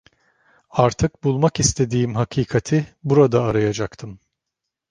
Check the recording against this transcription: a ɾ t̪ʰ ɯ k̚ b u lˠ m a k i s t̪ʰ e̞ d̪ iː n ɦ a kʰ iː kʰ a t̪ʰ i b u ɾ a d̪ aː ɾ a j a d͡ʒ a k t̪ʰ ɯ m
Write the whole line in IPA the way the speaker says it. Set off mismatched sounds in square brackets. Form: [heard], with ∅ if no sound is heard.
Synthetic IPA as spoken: a ɾ t̪ʰ ɯ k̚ b u lˠ m a k i s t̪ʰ e̞ d̪ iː [m] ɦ a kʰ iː kʰ a t̪ʰ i b u ɾ a d̪ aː ɾ a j a d͡ʒ a k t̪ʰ ɯ m

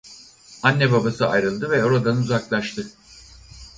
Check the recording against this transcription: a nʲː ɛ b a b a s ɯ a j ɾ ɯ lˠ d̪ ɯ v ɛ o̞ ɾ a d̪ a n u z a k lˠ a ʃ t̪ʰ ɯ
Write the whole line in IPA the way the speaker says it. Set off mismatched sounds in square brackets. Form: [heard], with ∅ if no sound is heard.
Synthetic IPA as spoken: a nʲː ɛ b a b a s ɯ a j ɾ ɯ lˠ d̪ ɯ v ɛ o̞ ɾ a d̪ a n u z a k lˠ a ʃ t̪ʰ ɯ

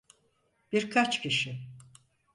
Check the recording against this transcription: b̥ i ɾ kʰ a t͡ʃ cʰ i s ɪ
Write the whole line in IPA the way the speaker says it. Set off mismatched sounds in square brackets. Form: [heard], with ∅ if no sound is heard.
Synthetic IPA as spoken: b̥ i ɾ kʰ a t͡ʃ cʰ i [ʃ] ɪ

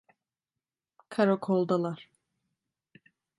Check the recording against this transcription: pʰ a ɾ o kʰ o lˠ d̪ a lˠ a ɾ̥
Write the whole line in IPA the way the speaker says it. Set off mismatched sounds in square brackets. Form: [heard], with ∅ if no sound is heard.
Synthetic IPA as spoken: [kʰ] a ɾ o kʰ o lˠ d̪ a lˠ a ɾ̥

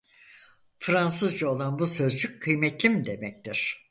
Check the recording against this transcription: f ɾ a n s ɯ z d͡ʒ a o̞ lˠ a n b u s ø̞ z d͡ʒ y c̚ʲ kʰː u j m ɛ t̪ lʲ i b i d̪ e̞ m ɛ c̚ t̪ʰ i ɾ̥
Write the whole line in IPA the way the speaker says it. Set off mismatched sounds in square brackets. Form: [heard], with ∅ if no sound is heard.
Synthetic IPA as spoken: f ɾ a n s ɯ z d͡ʒ a o̞ lˠ a n b u s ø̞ z d͡ʒ y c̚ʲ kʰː [ɯ] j m ɛ t̪ lʲ i [m] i d̪ e̞ m ɛ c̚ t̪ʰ i ɾ̥

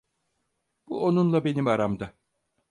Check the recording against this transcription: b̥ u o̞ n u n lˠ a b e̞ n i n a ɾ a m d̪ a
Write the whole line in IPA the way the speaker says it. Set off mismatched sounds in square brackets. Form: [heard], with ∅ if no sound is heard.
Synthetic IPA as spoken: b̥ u o̞ n u n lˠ a b e̞ n i [m] a ɾ a m d̪ a

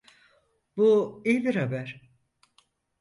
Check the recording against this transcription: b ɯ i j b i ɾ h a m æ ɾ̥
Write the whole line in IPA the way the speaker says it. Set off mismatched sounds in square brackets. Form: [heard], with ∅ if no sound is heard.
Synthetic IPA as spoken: b [u] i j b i ɾ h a [b] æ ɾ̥

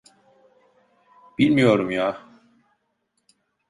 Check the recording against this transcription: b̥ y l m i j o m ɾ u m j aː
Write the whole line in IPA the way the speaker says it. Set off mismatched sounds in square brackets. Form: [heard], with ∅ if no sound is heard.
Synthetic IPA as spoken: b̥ [i] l m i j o [∅] ɾ u m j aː

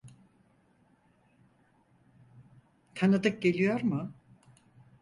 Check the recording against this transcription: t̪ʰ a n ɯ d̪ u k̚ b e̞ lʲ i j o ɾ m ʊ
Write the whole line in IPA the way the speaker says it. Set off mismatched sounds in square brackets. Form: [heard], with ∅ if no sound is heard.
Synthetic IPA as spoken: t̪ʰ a n ɯ d̪ [ɯ] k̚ [ɟ] e̞ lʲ i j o ɾ m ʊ

